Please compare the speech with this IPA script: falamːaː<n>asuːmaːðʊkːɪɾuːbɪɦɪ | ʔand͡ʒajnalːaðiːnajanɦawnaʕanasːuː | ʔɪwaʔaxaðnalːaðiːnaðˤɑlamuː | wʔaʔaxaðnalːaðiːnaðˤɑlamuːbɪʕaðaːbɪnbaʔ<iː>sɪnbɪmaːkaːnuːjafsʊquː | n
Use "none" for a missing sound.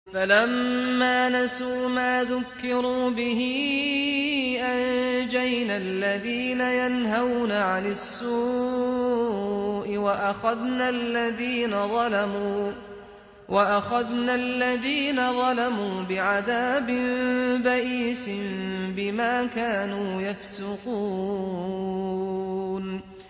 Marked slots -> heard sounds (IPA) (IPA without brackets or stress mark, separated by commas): n, iː